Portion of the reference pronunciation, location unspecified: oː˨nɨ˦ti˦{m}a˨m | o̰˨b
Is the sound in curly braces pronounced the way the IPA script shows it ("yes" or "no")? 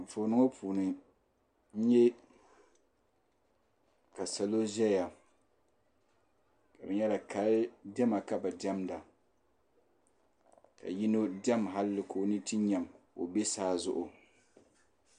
no